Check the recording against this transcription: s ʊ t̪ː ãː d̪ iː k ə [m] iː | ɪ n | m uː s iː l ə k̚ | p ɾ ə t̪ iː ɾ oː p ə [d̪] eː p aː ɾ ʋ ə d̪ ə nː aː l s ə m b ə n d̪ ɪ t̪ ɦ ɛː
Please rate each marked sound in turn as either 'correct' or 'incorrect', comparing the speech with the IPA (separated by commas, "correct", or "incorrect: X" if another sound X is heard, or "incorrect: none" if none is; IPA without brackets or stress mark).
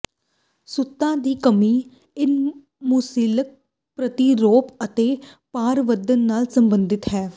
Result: correct, incorrect: t̪